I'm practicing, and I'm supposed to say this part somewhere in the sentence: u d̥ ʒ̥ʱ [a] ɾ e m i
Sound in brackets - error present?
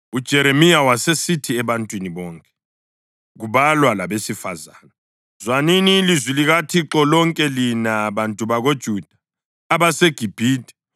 yes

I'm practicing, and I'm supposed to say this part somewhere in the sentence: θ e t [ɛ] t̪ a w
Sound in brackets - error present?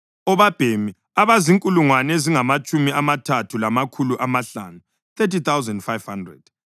yes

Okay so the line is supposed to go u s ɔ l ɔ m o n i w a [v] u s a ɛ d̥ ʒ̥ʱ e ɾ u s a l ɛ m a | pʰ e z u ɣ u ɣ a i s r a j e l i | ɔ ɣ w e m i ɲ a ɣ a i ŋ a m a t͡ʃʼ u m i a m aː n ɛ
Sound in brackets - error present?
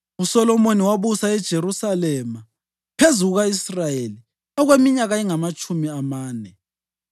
yes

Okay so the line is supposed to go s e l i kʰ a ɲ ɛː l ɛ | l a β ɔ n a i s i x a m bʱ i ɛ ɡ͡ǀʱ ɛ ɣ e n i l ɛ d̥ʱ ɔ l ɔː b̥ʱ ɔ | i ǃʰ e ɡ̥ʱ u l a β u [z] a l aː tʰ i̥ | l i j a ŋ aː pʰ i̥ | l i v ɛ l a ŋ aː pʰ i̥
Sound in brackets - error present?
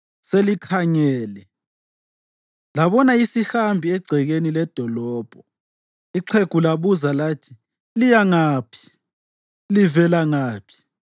no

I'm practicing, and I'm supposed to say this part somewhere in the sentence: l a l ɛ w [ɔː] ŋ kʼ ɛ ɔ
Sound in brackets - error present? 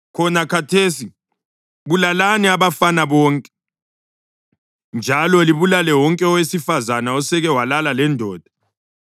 yes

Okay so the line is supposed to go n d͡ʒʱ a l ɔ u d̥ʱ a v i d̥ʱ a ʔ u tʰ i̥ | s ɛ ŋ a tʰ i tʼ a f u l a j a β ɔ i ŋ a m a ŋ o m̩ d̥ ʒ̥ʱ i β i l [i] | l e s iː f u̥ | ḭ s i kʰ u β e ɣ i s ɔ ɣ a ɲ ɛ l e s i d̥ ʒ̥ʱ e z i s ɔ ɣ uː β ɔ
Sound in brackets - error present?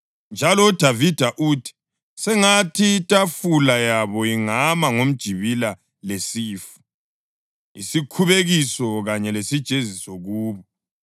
yes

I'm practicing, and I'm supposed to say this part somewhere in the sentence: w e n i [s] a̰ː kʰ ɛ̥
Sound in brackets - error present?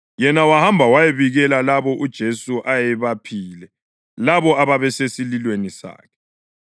no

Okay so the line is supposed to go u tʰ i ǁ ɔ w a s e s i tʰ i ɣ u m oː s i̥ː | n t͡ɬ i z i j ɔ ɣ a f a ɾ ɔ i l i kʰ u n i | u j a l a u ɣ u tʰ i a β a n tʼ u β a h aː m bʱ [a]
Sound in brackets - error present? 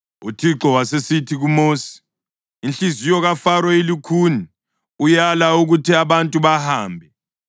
yes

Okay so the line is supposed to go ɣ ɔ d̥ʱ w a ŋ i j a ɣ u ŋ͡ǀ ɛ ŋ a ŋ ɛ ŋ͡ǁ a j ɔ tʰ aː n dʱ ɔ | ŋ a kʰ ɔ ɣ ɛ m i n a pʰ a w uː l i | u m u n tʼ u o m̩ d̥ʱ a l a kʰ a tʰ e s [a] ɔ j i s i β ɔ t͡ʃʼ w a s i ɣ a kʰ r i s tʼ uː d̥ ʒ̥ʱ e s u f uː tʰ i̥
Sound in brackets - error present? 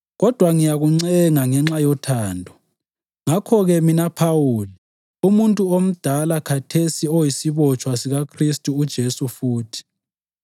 yes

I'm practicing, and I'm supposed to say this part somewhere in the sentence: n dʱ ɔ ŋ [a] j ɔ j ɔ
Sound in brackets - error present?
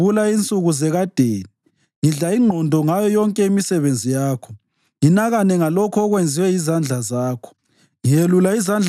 no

